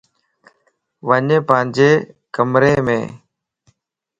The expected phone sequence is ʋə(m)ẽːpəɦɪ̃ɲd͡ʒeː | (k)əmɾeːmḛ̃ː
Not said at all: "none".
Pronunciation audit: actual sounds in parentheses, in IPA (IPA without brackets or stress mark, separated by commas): ɲ, k